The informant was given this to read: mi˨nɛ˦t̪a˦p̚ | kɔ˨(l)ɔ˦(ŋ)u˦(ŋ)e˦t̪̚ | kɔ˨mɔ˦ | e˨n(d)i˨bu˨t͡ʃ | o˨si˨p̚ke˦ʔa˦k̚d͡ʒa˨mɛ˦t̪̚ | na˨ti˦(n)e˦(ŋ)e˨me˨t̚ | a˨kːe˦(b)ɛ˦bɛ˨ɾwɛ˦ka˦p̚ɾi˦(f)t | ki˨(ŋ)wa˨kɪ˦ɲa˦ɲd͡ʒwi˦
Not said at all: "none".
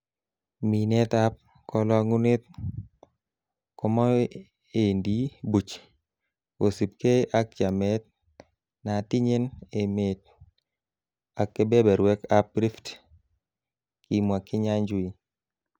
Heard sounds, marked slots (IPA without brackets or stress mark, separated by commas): l, ŋ, n, d, ɲ, n, b, f, m